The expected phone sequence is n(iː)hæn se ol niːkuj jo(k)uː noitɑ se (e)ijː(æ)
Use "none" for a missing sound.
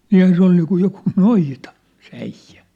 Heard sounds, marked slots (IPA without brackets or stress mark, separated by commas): iː, k, æ, æ